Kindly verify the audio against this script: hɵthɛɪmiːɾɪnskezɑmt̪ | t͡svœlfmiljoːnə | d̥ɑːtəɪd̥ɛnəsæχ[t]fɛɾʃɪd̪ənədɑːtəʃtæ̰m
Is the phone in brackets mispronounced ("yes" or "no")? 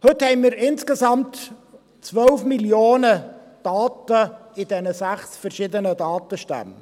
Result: yes